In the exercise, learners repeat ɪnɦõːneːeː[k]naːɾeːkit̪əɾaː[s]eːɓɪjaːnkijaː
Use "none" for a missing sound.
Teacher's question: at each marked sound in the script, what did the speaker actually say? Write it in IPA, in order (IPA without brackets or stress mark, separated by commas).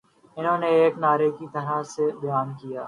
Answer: k, s